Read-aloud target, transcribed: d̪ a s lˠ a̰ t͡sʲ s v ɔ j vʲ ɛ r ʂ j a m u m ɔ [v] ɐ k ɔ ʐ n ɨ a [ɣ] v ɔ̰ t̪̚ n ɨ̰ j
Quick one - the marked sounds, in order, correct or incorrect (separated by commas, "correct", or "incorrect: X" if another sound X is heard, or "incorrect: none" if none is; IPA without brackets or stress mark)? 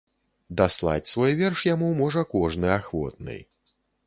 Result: incorrect: ʐ, incorrect: x